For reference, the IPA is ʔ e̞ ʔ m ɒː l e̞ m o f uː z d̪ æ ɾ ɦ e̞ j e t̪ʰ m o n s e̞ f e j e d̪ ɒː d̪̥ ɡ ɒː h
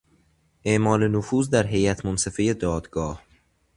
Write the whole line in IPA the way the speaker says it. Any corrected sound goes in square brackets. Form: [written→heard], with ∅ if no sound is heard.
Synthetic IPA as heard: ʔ e̞ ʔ m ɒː l e̞ [m→n] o f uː z d̪ æ ɾ ɦ e̞ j [e→æ] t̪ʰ m o n s e̞ f e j e d̪ ɒː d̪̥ ɡ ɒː h